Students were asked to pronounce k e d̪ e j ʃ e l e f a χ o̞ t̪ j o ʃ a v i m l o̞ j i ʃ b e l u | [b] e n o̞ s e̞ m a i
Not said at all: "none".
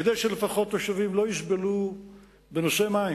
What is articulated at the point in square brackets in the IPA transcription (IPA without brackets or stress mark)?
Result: b